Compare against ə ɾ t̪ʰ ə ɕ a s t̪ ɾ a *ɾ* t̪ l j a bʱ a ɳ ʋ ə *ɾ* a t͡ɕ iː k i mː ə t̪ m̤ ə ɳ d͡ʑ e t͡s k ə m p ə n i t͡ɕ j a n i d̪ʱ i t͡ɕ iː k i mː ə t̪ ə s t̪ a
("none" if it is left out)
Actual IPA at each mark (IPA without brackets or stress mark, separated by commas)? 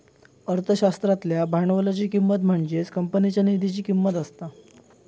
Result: none, l